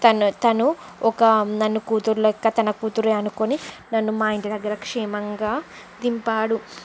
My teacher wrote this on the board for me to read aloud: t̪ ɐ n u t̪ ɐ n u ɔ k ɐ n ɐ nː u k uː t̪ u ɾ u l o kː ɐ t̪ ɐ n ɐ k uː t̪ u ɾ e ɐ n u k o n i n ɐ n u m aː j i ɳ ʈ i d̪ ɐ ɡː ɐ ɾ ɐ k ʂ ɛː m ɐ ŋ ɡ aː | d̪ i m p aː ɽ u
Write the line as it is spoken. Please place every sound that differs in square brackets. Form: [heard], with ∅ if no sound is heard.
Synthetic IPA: t̪ ɐ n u t̪ ɐ n u ɔ k ɐ n ɐ nː u k uː t̪ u ɾ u l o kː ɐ t̪ ɐ n ɐ k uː t̪ u ɾ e ɐ n u k o n i n ɐ [nː] u m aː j i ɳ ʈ i d̪ ɐ ɡː ɐ ɾ ɐ k ʂ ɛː m ɐ ŋ ɡ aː | d̪ i m p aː ɽ u